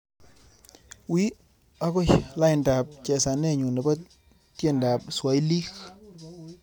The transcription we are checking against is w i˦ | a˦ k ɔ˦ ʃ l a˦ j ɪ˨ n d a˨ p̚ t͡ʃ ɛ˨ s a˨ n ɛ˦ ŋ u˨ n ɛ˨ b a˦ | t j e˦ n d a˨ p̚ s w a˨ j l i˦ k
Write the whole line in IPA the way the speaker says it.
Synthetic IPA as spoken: w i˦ | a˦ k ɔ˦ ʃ l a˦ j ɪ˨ n d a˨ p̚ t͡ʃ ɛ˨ s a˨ n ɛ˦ ɲ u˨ n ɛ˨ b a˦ | t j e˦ n d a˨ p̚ s w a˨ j l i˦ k